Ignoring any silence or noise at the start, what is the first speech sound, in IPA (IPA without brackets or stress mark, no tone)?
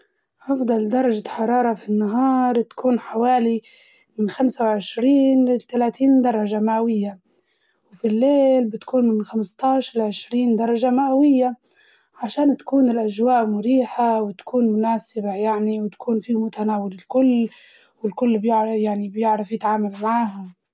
ʔ